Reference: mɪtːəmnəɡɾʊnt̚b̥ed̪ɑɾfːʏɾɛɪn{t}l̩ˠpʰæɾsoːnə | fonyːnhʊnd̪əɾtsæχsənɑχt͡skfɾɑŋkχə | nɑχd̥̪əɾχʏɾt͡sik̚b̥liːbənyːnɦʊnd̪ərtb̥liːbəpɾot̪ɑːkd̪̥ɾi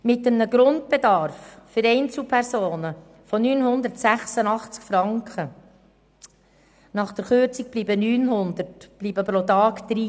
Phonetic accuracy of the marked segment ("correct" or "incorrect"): incorrect